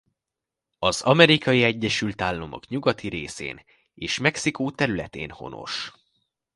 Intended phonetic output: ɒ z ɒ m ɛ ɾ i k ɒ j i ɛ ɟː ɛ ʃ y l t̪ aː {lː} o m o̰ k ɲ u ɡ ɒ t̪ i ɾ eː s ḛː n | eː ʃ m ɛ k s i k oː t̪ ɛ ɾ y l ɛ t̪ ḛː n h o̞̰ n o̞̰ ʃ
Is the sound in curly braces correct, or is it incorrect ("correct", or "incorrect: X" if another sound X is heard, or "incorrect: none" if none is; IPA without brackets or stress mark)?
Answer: correct